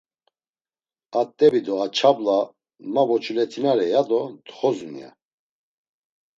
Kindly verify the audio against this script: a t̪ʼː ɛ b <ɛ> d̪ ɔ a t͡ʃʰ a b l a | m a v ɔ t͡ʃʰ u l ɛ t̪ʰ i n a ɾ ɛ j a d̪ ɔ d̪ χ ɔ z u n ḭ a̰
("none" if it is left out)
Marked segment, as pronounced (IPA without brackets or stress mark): i